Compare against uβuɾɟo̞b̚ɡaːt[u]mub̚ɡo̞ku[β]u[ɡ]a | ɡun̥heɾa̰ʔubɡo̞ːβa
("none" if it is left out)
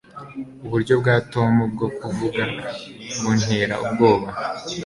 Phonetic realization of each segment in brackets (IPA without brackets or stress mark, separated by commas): o, v, ɡ